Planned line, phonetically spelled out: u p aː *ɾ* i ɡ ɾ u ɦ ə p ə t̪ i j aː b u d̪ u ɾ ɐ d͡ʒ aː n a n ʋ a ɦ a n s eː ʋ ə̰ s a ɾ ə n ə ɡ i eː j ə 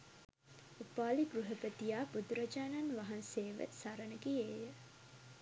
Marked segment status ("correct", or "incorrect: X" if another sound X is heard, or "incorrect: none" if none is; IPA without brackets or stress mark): incorrect: l